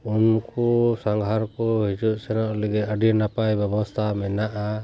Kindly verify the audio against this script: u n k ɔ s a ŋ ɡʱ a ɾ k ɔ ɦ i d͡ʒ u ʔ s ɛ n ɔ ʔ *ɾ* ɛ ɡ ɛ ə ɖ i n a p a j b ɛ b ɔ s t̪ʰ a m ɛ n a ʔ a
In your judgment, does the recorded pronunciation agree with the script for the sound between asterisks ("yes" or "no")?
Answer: no